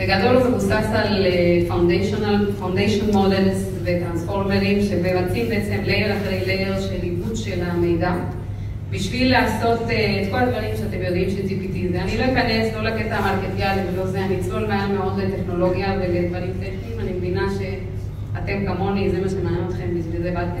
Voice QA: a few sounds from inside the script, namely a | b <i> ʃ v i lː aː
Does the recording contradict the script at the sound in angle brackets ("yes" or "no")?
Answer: no